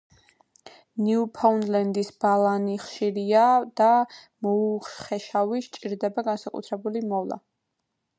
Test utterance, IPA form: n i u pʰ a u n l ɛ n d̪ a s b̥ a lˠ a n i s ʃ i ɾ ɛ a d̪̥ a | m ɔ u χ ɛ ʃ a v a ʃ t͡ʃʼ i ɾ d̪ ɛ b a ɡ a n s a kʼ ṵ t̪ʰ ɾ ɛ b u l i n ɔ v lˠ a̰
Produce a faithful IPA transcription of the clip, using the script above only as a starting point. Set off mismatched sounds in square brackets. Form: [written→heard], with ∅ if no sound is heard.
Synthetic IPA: n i u pʰ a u n l ɛ n d̪ [a→i] s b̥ a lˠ a n i [s→χ] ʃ i ɾ [ɛ→i] a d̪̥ a | m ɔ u χ ɛ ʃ a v [a→i] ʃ t͡ʃʼ i ɾ d̪ ɛ b a ɡ a n s a kʼ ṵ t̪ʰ ɾ ɛ b u l i [n→m] ɔ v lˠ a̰